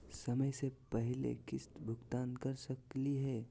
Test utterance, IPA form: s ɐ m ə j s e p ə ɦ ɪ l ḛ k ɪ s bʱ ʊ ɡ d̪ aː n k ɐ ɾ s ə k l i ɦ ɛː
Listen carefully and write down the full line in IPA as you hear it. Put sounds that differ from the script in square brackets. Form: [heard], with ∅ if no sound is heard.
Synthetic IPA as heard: s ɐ m ə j s e p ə ɦ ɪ l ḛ k ɪ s bʱ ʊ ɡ [t̪] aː n k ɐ ɾ s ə k l i ɦ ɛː